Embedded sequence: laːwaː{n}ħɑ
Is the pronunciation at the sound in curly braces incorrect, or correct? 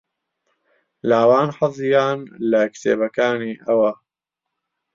correct